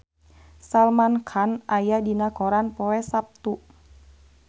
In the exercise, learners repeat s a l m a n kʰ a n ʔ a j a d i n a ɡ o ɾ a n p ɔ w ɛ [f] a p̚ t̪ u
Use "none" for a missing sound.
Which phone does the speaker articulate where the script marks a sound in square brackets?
s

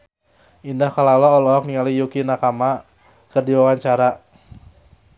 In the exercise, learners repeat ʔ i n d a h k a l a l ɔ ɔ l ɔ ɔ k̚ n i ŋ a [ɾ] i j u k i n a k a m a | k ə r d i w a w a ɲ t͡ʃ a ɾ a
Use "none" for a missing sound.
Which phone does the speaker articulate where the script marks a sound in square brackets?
l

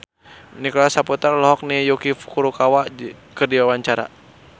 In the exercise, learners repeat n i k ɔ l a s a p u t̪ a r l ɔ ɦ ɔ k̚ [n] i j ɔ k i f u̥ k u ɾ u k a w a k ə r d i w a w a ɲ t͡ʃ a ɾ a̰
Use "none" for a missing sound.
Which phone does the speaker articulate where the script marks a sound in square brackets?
n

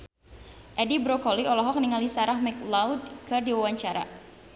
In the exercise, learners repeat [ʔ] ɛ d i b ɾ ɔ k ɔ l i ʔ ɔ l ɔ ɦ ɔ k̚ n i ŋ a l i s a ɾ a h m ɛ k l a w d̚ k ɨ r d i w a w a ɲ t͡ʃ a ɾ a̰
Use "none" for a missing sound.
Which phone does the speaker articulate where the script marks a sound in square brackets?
ʔ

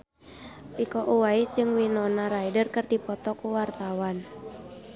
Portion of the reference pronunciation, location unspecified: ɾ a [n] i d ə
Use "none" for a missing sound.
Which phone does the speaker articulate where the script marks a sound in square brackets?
none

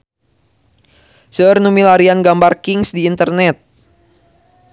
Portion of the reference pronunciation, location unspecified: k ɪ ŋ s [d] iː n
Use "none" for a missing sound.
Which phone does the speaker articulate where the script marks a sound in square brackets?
d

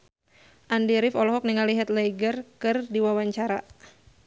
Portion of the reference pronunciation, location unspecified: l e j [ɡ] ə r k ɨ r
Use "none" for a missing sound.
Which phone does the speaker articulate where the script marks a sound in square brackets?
ɡ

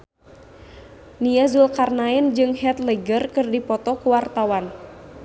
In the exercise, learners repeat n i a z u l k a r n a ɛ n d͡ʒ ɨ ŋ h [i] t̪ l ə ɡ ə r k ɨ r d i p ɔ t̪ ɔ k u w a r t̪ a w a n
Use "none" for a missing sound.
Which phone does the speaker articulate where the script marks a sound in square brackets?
ɛ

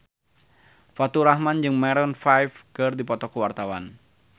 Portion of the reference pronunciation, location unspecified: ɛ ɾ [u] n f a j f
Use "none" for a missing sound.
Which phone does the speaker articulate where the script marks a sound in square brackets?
ɔ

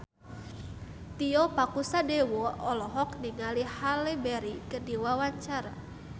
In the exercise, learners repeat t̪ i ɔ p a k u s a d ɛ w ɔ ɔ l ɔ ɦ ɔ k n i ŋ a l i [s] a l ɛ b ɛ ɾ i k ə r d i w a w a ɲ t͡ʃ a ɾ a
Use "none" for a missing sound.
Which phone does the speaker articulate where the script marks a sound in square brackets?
h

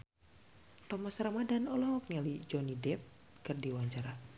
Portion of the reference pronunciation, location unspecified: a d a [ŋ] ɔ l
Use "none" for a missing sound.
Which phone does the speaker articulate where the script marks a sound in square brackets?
n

